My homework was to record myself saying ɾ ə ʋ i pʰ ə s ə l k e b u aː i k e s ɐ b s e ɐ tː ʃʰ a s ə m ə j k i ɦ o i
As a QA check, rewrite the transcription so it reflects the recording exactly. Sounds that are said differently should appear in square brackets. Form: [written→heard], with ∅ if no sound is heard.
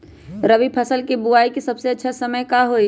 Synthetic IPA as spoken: ɾ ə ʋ i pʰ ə s ə l k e b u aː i k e s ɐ b s e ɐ tː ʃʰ a s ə m ə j k [i→a] ɦ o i

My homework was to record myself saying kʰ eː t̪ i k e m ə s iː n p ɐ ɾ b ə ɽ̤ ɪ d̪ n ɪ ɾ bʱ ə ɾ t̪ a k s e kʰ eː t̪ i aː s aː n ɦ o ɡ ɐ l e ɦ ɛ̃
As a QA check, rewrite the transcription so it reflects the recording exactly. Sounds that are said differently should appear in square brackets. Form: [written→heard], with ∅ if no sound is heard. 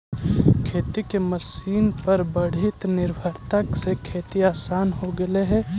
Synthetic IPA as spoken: kʰ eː t̪ i k e m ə s iː n p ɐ ɾ b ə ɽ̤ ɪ [d̪→t̪] n ɪ ɾ bʱ ə ɾ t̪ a k s e kʰ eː t̪ i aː s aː n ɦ o ɡ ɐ l e ɦ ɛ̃

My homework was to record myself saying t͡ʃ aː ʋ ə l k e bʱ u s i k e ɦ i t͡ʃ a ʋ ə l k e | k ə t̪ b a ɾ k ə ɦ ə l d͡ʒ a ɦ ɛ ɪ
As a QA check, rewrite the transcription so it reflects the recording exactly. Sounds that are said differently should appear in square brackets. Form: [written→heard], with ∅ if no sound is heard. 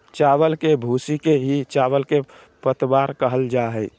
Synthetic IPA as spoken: t͡ʃ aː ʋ ə l k e bʱ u s i k e ɦ i t͡ʃ a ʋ ə l k e | [k→p] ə t̪ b a ɾ k ə ɦ ə l d͡ʒ a ɦ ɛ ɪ

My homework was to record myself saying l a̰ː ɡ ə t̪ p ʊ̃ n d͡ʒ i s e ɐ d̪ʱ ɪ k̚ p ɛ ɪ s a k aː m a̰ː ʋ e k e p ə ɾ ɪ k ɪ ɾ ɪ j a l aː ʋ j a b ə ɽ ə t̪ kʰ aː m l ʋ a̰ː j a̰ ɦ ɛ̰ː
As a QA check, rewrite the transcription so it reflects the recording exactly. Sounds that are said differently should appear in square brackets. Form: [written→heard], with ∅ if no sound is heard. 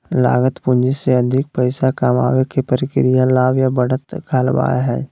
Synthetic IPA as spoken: l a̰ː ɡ ə t̪ p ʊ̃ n d͡ʒ i s e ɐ d̪ʱ ɪ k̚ p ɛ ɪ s a k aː m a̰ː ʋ e k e p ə ɾ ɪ k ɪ ɾ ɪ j a l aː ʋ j a b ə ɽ ə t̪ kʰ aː [m→∅] l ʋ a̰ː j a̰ ɦ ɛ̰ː

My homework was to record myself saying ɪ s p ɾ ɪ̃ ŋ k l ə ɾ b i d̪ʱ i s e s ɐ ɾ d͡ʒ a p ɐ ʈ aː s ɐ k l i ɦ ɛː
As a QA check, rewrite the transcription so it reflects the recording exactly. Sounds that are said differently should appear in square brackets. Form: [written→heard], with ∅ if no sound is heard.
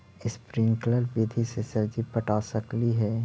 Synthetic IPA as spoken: ɪ s p ɾ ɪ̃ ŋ k l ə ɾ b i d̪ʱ i s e s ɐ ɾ d͡ʒ [a→i] p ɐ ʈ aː s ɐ k l i ɦ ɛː

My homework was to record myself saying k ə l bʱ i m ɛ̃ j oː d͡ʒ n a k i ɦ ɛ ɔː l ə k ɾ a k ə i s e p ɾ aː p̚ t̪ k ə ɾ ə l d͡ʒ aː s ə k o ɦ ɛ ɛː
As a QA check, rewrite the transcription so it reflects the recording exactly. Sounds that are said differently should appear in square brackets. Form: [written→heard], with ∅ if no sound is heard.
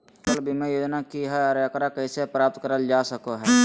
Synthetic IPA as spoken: k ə l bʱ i m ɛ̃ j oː d͡ʒ n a k i ɦ ɛ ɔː [l→ɾ] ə k ɾ a k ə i s e p ɾ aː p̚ t̪ k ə ɾ ə l d͡ʒ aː s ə k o ɦ ɛ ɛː

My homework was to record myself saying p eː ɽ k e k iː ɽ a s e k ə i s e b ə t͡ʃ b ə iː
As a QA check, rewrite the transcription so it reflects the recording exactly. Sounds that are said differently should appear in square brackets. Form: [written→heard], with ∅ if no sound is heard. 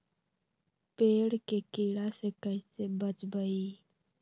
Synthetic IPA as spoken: p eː ɽ k e k iː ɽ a s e k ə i s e b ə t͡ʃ b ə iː

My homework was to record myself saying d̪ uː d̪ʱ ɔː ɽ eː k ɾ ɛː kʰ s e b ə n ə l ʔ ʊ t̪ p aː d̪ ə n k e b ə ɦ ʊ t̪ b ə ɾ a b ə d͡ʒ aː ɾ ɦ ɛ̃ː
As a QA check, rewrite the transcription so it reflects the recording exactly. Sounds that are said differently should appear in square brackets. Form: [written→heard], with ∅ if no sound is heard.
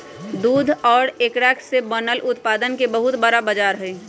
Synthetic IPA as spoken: d̪ uː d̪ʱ ɔː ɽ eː k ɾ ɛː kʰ s e b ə n ə l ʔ ʊ t̪ p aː d̪ ə n k e b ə ɦ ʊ t̪ b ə ɾ a b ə d͡ʒ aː ɾ ɦ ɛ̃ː

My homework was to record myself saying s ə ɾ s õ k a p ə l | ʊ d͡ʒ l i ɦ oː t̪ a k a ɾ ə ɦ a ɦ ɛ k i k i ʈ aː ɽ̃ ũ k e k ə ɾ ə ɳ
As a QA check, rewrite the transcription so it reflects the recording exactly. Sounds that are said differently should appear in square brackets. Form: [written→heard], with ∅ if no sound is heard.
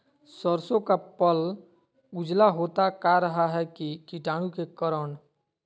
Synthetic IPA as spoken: s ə ɾ s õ k a p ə l | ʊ d͡ʒ l [i→a] ɦ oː t̪ a k a ɾ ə ɦ a ɦ ɛ k i k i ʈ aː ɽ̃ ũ k e k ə ɾ ə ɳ

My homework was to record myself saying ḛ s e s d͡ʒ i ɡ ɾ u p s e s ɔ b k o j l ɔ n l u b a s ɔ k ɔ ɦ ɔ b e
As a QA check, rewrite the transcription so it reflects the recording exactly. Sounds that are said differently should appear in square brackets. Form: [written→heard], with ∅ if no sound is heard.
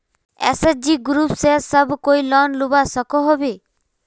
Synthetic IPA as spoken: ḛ s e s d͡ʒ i ɡ ɾ u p s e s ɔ b k o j l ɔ n l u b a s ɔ k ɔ ɦ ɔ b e

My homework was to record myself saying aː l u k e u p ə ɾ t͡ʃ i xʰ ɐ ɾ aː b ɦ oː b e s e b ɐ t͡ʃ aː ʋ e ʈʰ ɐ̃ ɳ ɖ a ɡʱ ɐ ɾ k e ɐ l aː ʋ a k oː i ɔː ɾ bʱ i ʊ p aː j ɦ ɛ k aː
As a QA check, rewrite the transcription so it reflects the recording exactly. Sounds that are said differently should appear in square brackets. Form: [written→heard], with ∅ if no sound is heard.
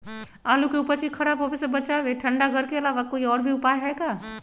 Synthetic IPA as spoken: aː l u k e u p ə ɾ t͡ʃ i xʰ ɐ ɾ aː b ɦ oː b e s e b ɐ t͡ʃ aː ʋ e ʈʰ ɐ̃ ɳ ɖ a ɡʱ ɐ ɾ k e ɐ l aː ʋ a k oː i ɔː ɾ bʱ i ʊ p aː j ɦ ɛ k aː

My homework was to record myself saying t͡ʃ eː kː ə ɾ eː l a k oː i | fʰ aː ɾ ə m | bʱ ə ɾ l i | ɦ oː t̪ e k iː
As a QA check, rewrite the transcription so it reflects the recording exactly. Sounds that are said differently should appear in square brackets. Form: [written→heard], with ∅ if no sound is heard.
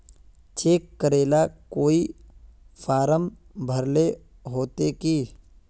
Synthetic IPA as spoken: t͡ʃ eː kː ə ɾ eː l a k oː i | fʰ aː ɾ ə m | bʱ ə ɾ l [i→e] | ɦ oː t̪ e k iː

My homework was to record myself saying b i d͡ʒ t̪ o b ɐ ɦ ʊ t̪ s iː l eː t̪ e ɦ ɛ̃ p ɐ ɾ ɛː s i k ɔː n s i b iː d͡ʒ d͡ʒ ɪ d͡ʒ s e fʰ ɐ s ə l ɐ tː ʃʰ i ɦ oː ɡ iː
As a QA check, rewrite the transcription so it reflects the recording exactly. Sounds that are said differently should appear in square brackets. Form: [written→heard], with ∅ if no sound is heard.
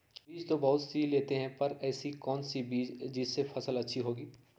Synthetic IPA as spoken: b [i→iː] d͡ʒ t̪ o b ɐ ɦ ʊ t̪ s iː l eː t̪ e ɦ ɛ̃ p ɐ ɾ ɛː s i k ɔː n s i b iː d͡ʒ d͡ʒ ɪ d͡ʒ s e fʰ ɐ s ə l ɐ tː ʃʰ i ɦ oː ɡ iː

